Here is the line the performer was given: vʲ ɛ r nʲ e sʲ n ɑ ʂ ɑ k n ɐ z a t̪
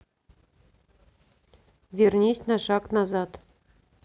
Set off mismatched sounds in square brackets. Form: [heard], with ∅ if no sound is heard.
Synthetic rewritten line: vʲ [e] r nʲ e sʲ n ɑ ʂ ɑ k n [ɑ] z [ɑ] t̪